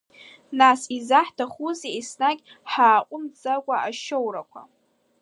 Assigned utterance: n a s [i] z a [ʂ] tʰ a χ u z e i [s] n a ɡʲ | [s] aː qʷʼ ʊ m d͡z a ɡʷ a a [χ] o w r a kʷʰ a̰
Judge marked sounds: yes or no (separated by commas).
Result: yes, no, yes, no, no